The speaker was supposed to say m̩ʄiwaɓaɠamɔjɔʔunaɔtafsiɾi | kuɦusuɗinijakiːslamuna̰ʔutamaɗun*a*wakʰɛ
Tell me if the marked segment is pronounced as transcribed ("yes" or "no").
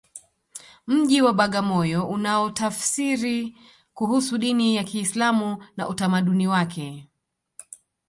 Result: no